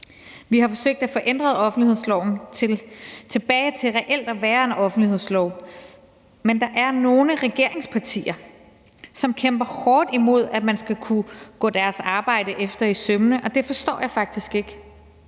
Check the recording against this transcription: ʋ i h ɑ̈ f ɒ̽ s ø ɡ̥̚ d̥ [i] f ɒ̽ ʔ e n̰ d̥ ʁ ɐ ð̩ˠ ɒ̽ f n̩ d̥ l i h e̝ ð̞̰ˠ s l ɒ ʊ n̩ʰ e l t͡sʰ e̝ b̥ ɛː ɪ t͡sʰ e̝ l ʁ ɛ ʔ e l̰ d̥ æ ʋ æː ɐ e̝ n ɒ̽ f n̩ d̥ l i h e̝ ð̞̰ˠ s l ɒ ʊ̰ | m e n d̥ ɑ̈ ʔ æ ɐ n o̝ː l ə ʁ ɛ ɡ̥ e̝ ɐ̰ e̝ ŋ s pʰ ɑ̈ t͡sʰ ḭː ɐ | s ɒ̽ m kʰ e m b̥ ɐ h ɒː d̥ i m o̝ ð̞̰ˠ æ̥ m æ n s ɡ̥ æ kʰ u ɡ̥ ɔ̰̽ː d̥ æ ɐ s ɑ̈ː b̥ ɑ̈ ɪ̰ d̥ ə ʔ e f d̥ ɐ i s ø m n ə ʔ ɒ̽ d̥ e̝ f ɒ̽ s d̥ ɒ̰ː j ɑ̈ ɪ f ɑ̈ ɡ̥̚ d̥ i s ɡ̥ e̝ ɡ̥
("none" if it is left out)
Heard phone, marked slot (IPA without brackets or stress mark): æ